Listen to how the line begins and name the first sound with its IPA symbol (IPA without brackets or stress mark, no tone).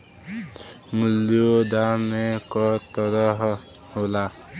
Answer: m